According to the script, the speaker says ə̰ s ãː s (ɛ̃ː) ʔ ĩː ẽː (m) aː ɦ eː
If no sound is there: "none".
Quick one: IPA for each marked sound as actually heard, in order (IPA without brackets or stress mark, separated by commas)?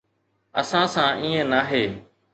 ãː, n